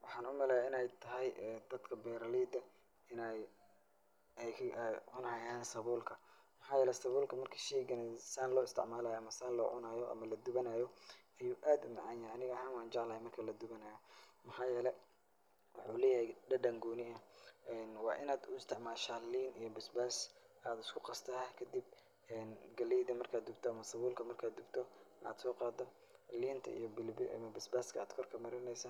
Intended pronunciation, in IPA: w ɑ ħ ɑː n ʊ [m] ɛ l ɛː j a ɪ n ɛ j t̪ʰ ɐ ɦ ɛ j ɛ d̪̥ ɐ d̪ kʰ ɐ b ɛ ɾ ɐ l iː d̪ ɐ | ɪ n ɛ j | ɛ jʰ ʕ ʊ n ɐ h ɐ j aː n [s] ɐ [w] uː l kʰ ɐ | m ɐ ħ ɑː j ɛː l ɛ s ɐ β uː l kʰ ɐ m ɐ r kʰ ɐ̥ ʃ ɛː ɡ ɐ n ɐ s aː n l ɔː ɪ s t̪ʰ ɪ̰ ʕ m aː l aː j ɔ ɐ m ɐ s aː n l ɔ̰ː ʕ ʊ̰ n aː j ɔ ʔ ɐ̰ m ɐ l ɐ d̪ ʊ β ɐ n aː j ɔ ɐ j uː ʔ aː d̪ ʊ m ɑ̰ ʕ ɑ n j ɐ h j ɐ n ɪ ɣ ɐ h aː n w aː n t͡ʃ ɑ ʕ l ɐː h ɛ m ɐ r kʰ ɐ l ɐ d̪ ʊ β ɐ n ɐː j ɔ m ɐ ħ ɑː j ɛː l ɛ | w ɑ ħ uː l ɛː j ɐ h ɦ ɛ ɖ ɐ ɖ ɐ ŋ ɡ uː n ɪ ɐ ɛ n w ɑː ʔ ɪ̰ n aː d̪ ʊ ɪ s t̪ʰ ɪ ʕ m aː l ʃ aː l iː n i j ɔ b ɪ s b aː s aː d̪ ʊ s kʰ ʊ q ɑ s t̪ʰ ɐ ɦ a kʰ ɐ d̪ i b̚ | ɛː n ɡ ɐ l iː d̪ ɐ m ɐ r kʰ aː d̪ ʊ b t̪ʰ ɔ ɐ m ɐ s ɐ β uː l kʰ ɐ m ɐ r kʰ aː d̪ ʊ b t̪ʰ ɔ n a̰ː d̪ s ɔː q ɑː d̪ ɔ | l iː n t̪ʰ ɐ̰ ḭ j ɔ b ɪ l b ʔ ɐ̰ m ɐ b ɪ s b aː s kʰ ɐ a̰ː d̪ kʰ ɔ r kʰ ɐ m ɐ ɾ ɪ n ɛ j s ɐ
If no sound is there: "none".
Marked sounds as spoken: m, s, β

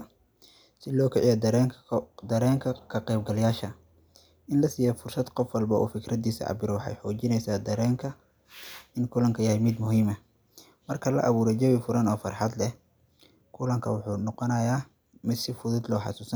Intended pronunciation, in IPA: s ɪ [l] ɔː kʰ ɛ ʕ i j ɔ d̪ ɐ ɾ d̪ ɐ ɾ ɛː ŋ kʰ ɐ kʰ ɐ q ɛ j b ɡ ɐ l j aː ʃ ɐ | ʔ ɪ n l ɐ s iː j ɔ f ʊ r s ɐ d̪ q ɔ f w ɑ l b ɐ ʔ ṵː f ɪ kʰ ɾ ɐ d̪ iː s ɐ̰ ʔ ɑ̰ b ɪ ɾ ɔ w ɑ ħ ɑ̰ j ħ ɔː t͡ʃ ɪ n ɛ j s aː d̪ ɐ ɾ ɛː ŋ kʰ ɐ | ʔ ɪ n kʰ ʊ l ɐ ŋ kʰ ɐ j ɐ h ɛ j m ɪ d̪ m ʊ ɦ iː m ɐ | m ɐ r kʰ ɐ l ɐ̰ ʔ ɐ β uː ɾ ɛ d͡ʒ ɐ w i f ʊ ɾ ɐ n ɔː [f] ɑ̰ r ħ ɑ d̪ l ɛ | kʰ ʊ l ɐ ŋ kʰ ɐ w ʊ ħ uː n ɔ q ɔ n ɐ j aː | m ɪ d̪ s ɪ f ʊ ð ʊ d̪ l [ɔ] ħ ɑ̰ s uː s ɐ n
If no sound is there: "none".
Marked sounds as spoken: l, f, ɔː

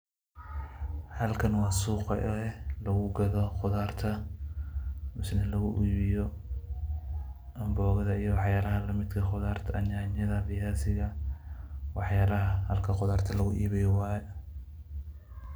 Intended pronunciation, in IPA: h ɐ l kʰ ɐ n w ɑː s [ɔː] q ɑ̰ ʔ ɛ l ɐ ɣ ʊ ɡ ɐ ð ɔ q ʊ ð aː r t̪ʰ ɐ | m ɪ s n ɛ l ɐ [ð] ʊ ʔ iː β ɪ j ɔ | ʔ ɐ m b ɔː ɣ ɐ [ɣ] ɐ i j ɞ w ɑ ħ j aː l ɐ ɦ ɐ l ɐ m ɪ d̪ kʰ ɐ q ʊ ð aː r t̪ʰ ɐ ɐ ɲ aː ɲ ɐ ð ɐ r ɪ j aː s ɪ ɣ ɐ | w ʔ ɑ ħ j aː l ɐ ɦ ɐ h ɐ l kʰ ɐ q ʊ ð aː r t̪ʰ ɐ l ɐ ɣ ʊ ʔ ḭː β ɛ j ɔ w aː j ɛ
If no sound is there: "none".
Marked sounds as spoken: uː, ɣ, ð

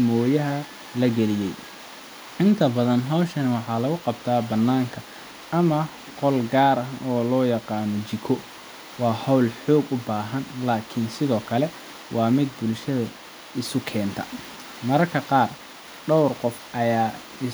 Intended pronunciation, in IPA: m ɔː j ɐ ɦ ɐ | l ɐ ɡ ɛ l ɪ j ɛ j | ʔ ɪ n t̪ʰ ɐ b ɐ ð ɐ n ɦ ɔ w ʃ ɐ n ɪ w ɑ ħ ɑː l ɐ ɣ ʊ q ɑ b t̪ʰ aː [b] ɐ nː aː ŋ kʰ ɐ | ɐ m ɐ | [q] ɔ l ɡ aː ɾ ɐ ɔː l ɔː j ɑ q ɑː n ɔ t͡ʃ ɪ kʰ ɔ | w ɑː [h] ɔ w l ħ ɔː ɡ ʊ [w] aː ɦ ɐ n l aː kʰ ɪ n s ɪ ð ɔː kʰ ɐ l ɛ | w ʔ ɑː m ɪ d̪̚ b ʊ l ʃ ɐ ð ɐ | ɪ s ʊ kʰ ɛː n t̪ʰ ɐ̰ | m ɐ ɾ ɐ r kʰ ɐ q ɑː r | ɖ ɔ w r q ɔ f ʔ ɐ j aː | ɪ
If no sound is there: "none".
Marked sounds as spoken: b, q, h, b

